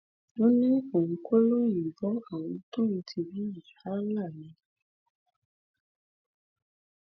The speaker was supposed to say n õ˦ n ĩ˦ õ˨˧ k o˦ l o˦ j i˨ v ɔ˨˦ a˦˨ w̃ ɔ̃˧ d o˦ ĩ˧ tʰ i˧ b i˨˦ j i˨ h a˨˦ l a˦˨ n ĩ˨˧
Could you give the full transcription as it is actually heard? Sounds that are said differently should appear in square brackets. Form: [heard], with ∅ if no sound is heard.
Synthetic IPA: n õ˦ n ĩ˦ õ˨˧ k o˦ l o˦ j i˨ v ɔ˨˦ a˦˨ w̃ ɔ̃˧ [t] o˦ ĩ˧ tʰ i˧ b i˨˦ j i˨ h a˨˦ l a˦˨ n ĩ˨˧